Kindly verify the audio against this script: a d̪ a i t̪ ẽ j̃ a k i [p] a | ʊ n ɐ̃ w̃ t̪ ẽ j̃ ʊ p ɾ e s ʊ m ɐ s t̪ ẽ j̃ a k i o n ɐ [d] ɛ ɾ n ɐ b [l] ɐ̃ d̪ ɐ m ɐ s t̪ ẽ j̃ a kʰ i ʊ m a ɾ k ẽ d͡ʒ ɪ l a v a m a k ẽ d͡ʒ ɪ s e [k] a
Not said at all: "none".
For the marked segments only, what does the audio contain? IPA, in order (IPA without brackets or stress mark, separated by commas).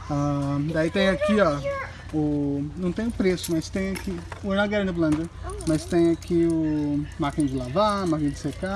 none, ɡ, l, k